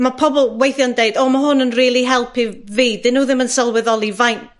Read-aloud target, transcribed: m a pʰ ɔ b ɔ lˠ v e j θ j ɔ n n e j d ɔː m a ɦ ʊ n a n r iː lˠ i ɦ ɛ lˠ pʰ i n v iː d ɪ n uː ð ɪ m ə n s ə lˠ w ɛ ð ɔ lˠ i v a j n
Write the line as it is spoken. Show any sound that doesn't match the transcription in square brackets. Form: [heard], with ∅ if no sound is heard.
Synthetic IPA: m a pʰ ɔ b ɔ lˠ [w] e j θ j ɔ n [d] e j d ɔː m a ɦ ʊ n [ə] n r iː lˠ i ɦ ɛ lˠ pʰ i [∅] v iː d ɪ n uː ð ɪ m ə n s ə lˠ w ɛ ð ɔ lˠ i v a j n